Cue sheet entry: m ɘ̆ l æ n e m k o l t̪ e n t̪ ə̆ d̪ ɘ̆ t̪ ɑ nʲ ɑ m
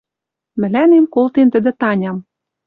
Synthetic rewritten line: m ɘ̆ l æ n e m k o l t̪ e n t̪ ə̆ d̪ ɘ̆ t̪ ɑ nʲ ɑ m